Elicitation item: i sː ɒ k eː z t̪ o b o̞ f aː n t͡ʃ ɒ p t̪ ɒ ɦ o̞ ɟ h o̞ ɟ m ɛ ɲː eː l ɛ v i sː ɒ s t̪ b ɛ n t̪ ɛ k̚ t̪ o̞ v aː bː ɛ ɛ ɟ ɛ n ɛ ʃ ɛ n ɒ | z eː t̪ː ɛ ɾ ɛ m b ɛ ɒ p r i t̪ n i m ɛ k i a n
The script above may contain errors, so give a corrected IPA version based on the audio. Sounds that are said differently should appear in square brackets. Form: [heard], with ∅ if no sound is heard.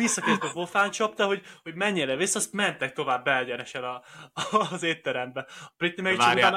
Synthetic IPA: i sː ɒ k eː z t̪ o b o̞ f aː n t͡ʃ ɒ p t̪ ɒ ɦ o̞ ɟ h o̞ ɟ m ɛ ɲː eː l ɛ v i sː ɒ s t̪ [m] ɛ n t̪ ɛ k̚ t̪ o̞ v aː bː ɛ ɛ ɟ ɛ n ɛ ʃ ɛ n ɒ | z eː t̪ː ɛ ɾ ɛ m b ɛ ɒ p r i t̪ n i m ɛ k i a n